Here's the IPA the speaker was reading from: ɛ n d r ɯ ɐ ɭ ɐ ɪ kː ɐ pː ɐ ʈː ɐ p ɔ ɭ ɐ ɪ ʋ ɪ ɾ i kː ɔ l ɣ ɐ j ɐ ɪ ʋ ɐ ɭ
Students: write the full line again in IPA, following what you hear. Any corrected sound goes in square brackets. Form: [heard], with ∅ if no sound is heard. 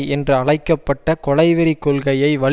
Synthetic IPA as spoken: ɛ n d r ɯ ɐ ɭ ɐ ɪ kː ɐ pː ɐ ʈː ɐ [k] ɔ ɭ ɐ ɪ ʋ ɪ ɾ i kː ɔ l ɣ ɐ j ɐ ɪ ʋ ɐ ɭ

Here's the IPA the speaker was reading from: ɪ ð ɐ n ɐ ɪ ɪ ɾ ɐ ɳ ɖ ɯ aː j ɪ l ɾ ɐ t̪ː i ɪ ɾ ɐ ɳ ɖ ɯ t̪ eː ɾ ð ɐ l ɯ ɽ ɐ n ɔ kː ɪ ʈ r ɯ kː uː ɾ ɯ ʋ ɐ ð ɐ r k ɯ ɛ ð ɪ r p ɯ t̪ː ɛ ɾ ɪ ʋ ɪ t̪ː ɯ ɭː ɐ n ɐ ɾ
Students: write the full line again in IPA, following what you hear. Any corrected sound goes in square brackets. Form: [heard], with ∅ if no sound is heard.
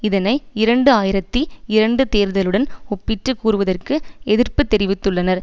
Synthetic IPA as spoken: ɪ ð ɐ n ɐ ɪ ɪ ɾ ɐ ɳ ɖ ɯ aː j ɪ [∅] ɾ ɐ t̪ː i ɪ ɾ ɐ ɳ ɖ ɯ t̪ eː ɾ ð ɐ l ɯ ɽ ɐ n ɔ [pː] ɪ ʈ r ɯ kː uː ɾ ɯ ʋ ɐ ð ɐ r k ɯ ɛ ð ɪ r p ɯ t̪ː ɛ ɾ ɪ ʋ ɪ t̪ː ɯ ɭː ɐ n ɐ ɾ

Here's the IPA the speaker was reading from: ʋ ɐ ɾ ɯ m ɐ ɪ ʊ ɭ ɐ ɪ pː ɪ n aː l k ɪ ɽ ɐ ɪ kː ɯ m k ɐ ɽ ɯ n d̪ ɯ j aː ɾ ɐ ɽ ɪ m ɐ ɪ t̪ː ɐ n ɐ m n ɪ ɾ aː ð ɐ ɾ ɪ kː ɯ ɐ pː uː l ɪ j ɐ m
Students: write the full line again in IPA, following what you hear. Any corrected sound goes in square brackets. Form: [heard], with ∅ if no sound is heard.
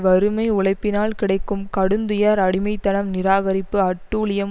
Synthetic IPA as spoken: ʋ ɐ ɾ ɯ m ɐ ɪ ʊ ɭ ɐ ɪ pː ɪ n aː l k ɪ ɽ ɐ ɪ kː ɯ m k ɐ ɽ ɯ n d̪ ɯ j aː ɾ ɐ ɽ ɪ m ɐ ɪ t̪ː ɐ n ɐ m n ɪ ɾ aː [ɣ] ɐ ɾ ɪ [pː] ɯ ɐ [ʈː] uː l ɪ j ɐ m

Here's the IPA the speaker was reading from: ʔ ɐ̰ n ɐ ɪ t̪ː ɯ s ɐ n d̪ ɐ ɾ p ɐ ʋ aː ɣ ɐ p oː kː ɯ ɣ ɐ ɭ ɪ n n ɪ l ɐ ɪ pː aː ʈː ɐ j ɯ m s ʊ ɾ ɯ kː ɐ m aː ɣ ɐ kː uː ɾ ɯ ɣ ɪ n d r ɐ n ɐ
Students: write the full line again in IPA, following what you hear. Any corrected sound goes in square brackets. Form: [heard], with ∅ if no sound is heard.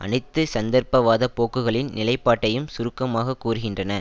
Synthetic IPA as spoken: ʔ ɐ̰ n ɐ ɪ t̪ː ɯ s ɐ n d̪ ɐ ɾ p ɐ ʋ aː [ð] ɐ p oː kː ɯ ɣ ɐ ɭ ɪ n n ɪ l ɐ ɪ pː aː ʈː ɐ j ɯ m s ʊ ɾ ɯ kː ɐ m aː ɣ ɐ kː uː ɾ ɯ ɣ ɪ n d r ɐ n ɐ

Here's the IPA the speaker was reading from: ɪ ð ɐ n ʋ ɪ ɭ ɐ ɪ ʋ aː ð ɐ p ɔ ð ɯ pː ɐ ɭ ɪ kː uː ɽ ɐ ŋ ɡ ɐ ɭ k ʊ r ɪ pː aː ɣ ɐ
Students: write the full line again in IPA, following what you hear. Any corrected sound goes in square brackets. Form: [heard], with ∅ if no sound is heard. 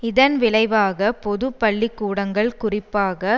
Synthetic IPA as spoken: ɪ ð ɐ n ʋ ɪ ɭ ɐ ɪ ʋ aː [ɣ] ɐ p ɔ ð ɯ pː ɐ [ɭː] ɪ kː uː ɽ ɐ ŋ ɡ ɐ ɭ k ʊ r ɪ pː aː ɣ ɐ

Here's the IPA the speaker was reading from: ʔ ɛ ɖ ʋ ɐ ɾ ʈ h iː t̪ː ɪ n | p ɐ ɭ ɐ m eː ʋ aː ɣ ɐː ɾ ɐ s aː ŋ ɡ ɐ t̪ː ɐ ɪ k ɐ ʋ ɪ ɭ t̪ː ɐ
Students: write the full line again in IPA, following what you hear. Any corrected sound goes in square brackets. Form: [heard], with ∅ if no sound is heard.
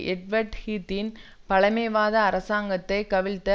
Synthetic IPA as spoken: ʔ ɛ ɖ ʋ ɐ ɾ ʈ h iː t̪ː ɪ n | p ɐ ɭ ɐ m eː ʋ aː [ð] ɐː ɾ ɐ s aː ŋ ɡ ɐ t̪ː ɐ ɪ k ɐ ʋ ɪ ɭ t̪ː ɐ

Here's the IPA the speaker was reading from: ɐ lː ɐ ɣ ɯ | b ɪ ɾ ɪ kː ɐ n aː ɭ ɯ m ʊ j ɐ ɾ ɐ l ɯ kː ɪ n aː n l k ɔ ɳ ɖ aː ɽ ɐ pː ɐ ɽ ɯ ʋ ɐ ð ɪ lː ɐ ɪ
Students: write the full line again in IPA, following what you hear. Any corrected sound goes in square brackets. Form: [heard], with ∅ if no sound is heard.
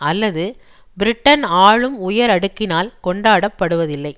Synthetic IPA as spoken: ɐ lː ɐ [ð] ɯ | b ɪ ɾ ɪ [ʈː] ɐ n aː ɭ ɯ m ʊ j ɐ ɾ ɐ [ɽ] ɯ kː ɪ n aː [∅] l k ɔ ɳ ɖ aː ɽ ɐ pː ɐ ɽ ɯ ʋ ɐ ð ɪ lː ɐ ɪ

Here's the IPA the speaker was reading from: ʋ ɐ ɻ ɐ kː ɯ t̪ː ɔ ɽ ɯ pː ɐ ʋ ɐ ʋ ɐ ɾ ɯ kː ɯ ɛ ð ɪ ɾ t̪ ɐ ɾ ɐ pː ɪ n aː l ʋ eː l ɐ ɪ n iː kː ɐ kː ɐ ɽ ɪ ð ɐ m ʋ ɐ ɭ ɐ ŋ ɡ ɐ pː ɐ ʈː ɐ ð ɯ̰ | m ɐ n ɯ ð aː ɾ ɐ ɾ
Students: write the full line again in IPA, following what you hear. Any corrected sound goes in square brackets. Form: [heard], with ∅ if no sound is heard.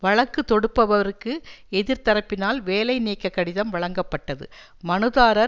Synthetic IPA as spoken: ʋ ɐ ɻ ɐ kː ɯ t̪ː ɔ ɽ ɯ pː ɐ ʋ ɐ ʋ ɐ ɾ ɯ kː ɯ ɛ ð ɪ ɾ t̪ ɐ ɾ ɐ pː ɪ n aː l ʋ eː l ɐ ɪ n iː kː ɐ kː ɐ ɽ ɪ ð ɐ m ʋ ɐ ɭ ɐ ŋ ɡ ɐ pː ɐ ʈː ɐ ð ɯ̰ | m ɐ n ɯ ð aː ɾ ɐ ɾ

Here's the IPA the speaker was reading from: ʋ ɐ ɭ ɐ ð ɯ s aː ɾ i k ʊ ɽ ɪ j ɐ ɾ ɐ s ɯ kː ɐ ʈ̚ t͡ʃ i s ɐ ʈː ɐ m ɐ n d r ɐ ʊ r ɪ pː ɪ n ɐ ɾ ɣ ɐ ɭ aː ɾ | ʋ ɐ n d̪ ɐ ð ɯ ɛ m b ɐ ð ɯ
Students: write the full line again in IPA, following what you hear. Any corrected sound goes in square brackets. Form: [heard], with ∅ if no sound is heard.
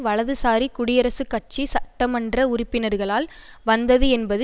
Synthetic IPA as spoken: ʋ ɐ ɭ ɐ ð ɯ s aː ɾ i k ʊ ɽ ɪ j ɐ ɾ ɐ s ɯ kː ɐ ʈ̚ t͡ʃ i s ɐ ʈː ɐ m ɐ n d r ɐ ʊ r ɪ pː ɪ n ɐ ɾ ɣ ɐ ɭ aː [l] | ʋ ɐ n d̪ ɐ ð ɯ ɛ [n] b ɐ ð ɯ

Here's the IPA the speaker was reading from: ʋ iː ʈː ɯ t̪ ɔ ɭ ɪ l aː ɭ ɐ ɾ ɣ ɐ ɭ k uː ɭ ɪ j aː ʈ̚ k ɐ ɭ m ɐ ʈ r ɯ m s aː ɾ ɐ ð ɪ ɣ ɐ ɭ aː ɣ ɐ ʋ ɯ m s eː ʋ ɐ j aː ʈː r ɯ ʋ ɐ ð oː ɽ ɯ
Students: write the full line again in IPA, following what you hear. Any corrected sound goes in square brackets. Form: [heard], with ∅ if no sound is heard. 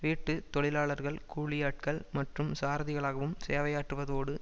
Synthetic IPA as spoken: ʋ iː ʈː ɯ t̪ ɔ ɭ ɪ l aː ɭ ɐ ɾ ɣ ɐ ɭ k uː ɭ ɪ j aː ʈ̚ k ɐ ɭ m ɐ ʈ r ɯ m s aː ɾ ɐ ð ɪ ɣ ɐ ɭ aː ɣ ɐ ʋ ɯ m s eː ʋ ɐ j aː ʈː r ɯ ʋ ɐ ð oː ɽ ɯ

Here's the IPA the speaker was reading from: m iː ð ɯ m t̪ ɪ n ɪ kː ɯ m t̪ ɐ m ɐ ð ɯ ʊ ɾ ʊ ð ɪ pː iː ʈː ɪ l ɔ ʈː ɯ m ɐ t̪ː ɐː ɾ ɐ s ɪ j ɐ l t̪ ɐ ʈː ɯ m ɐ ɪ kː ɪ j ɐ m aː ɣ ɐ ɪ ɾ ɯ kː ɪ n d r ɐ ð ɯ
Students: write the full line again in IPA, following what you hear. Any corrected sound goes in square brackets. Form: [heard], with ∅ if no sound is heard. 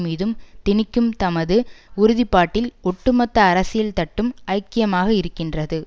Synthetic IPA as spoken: m iː ð ɯ m t̪ ɪ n ɪ kː ɯ m t̪ ɐ m ɐ ð ɯ ʊ ɾ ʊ ð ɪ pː [aː] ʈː ɪ l ɔ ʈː ɯ m ɐ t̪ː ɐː ɾ ɐ s ɪ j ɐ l t̪ ɐ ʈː ɯ m ɐ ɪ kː ɪ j ɐ m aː ɣ ɐ ɪ ɾ ɯ kː ɪ n d r ɐ ð ɯ

